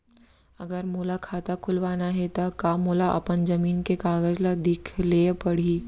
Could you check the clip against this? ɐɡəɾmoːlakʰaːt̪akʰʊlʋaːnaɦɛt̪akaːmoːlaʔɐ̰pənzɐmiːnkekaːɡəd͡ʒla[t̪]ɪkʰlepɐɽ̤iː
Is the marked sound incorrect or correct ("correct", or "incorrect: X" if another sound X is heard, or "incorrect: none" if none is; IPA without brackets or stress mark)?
incorrect: d̪